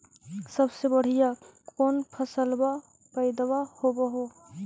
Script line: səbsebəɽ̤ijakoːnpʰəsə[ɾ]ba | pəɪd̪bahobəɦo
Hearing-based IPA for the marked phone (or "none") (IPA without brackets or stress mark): l